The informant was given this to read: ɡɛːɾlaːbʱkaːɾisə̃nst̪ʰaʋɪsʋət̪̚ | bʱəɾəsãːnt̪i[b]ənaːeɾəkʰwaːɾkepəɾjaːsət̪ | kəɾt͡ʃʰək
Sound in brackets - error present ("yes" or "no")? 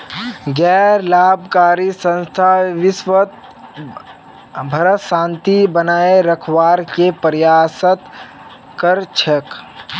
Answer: no